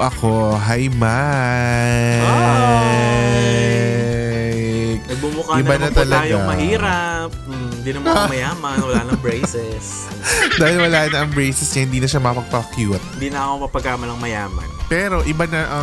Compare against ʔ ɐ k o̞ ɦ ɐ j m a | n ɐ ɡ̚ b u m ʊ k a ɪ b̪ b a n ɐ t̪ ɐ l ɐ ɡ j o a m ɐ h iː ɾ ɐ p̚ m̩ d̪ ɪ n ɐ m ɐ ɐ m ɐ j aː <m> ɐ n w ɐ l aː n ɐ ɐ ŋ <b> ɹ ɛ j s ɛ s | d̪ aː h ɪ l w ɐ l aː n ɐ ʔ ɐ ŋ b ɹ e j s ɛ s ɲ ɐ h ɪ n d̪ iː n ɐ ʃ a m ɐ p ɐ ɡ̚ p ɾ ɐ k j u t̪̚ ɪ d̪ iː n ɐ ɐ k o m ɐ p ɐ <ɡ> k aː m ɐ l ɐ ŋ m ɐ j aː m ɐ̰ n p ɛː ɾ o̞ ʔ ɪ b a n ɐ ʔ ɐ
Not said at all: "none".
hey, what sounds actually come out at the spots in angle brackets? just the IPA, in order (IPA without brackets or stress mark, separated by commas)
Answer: m, b, ɡ